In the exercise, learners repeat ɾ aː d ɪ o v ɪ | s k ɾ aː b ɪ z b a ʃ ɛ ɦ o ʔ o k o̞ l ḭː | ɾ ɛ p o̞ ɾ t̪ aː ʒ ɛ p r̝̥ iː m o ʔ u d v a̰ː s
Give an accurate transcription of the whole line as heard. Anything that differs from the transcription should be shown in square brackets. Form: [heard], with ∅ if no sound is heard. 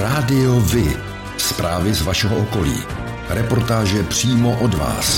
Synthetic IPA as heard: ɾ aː d ɪ o v ɪ | s [p] ɾ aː [v] ɪ z [v] a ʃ ɛ ɦ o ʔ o k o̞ l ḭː | ɾ ɛ p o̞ ɾ t̪ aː ʒ ɛ p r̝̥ iː m o ʔ [o] d v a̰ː s